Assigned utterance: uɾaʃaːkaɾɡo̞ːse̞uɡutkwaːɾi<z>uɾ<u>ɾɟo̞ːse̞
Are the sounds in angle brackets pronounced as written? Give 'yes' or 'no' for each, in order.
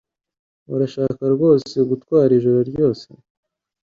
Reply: no, no

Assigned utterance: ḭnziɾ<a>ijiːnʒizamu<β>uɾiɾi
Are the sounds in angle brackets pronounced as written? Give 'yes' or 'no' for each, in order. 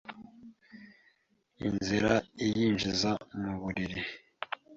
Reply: yes, yes

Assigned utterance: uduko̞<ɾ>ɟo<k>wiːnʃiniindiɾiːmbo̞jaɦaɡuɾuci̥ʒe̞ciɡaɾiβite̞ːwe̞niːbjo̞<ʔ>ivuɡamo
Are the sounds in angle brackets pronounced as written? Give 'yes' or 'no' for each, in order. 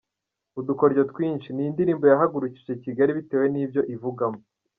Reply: yes, no, yes

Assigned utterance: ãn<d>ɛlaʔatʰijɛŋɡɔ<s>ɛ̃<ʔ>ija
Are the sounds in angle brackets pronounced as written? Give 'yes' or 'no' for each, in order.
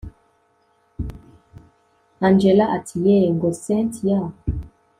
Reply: no, yes, no

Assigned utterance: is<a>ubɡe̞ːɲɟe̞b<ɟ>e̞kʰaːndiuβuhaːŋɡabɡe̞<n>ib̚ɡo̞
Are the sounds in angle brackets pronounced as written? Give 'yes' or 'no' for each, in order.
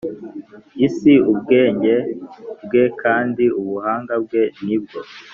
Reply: no, no, yes

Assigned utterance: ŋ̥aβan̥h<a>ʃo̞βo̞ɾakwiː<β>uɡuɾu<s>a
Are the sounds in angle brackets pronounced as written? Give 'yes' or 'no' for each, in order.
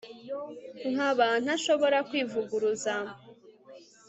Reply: yes, no, no

